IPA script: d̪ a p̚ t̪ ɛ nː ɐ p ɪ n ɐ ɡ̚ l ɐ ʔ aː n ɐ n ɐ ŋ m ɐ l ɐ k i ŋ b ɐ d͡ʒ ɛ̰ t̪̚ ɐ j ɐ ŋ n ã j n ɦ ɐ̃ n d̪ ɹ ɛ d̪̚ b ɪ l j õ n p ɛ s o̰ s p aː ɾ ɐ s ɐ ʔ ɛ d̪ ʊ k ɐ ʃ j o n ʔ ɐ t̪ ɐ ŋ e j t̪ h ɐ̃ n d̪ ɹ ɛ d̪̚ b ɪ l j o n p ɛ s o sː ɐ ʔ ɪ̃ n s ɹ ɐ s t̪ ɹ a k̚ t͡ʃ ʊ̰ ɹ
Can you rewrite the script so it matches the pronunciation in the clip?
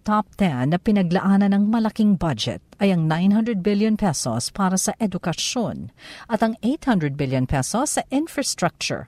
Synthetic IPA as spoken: t̪ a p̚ t̪ ɛ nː ɐ p ɪ n ɐ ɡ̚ l ɐ ʔ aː n ɐ n ɐ ŋ m ɐ l ɐ k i ŋ b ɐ d͡ʒ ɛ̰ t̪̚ ɐ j ɐ ŋ n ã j n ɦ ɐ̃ n d̪ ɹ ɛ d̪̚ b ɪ l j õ n p ɛ s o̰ s p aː ɾ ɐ s ɐ ʔ ɛ d̪ ʊ k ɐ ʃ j o n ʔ ɐ t̪ ɐ ŋ e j t̪ h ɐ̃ n d̪ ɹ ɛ d̪̚ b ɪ l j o n p ɛ s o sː ɐ ʔ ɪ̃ n f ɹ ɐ s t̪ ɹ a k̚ t͡ʃ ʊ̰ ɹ